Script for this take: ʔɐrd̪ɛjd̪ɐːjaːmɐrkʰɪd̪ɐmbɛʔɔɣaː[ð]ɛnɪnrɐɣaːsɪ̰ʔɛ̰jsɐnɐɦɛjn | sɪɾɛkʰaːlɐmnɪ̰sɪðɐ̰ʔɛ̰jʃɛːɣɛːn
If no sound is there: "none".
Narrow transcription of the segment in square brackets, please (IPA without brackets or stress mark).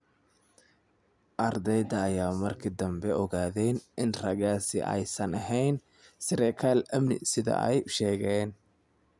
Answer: ð